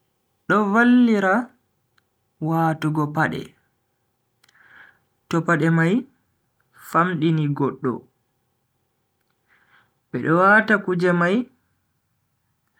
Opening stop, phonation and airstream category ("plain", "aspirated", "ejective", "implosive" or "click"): implosive